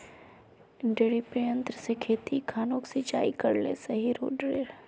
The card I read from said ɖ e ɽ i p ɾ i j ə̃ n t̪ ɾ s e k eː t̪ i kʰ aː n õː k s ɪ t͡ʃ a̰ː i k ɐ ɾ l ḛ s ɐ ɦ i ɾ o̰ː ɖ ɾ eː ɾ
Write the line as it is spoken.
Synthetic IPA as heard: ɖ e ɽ i p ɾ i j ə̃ n t̪ ɾ s e kʰ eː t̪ i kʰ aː n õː k s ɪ t͡ʃ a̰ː i k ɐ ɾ l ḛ s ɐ ɦ i ɾ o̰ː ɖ ɾ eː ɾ